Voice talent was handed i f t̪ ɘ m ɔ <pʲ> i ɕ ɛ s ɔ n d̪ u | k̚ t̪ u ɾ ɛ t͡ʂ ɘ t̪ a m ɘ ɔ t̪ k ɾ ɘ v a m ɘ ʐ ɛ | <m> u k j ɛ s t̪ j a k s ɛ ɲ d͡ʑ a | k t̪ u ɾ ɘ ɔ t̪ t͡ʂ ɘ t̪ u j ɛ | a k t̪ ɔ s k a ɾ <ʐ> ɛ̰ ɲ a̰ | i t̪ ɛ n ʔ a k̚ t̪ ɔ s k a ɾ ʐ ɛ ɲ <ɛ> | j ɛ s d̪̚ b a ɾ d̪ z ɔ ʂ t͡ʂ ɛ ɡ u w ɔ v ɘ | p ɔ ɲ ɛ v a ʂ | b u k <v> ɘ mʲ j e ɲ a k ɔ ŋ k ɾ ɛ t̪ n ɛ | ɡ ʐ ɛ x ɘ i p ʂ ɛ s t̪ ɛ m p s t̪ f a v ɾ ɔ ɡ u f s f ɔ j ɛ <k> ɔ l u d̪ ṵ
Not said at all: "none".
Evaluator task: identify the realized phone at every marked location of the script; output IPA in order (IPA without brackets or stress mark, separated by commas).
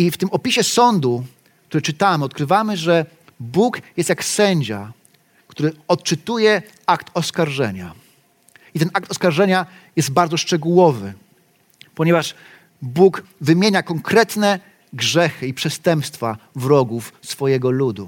pʲ, b, ʐ, a, v, ɡ